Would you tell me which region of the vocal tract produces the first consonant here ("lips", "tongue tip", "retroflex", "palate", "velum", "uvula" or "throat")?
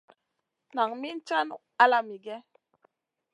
tongue tip